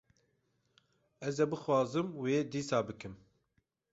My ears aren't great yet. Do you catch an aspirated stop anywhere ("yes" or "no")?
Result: no